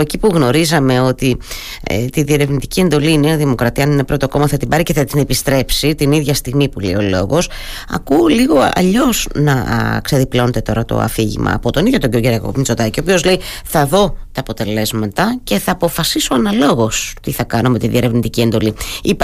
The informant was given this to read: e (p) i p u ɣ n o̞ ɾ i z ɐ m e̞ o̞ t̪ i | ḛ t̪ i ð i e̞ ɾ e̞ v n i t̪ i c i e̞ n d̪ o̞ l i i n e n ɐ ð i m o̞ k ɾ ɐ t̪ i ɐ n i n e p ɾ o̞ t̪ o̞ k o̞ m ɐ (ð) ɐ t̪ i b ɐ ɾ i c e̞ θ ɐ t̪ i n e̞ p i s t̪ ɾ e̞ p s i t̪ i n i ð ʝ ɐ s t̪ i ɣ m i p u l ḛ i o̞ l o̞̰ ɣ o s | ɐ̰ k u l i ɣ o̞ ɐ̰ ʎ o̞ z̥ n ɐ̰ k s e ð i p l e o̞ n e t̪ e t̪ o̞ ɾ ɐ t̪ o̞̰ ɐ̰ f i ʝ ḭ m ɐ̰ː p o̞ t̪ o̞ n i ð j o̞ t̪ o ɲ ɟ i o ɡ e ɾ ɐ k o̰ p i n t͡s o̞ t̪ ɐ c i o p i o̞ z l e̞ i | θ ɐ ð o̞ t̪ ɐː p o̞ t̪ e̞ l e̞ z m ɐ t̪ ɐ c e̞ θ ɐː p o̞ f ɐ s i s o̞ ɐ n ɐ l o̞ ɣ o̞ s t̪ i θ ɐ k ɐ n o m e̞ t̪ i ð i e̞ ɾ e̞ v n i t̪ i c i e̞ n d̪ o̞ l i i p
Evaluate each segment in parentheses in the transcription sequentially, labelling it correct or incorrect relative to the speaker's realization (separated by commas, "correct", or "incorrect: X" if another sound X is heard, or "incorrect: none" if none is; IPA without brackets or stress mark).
incorrect: c, incorrect: θ